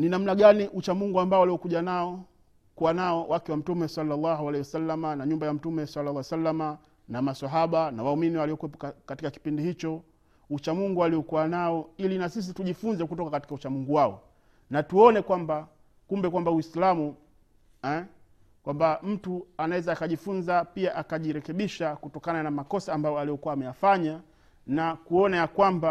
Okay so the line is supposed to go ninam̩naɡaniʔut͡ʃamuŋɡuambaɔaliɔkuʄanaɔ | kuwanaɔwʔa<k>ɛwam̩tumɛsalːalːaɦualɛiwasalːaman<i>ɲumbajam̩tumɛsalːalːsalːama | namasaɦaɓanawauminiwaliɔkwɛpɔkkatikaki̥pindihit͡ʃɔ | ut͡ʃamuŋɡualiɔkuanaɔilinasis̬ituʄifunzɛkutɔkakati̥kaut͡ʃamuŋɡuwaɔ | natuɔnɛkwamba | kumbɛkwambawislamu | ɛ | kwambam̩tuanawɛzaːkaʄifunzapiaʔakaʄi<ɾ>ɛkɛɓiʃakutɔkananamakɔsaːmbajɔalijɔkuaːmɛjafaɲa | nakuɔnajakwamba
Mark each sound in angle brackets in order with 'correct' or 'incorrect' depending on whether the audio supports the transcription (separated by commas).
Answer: correct, incorrect, correct